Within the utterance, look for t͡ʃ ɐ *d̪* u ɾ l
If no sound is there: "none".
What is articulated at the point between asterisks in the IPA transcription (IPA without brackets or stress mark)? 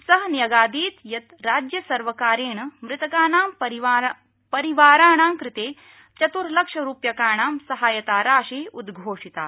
t̪